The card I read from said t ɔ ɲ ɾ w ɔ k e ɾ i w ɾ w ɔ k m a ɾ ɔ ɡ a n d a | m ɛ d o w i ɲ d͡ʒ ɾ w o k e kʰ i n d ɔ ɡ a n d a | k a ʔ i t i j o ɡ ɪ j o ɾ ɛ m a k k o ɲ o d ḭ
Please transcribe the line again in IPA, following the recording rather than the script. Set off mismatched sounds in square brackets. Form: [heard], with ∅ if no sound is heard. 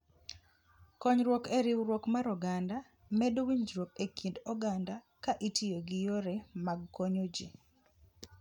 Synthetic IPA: [k] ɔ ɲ ɾ w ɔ k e ɾ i w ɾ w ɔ k m a ɾ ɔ ɡ a n d a | m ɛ d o w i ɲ d͡ʒ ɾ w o k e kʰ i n d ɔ ɡ a n d a | k a ʔ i t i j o ɡ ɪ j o ɾ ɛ m a [ɡ] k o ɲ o [d͡ʒ] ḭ